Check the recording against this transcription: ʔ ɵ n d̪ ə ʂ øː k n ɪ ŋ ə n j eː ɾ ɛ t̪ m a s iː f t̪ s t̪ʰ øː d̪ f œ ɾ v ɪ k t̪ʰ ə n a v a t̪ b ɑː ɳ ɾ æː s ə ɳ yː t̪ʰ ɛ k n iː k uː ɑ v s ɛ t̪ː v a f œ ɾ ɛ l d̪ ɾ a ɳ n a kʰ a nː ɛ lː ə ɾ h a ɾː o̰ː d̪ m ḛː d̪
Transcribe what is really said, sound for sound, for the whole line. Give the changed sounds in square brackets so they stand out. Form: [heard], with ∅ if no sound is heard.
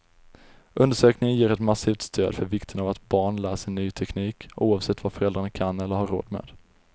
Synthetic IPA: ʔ ɵ n d̪ ə ʂ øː k n ɪ ŋ ə n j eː ɾ ɛ t̪ m a s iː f t̪ s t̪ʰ øː d̪ f œ ɾ v ɪ k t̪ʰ ə n a v a t̪ b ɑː ɳ [l] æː s ə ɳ yː t̪ʰ ɛ k n iː k uː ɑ v s ɛ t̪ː v a f œ ɾ ɛ l d̪ ɾ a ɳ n a kʰ a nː ɛ lː ə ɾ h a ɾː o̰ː d̪ m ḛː d̪